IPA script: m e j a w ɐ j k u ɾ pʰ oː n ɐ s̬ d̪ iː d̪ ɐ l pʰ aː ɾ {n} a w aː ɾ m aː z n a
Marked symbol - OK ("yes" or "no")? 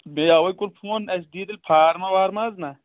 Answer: no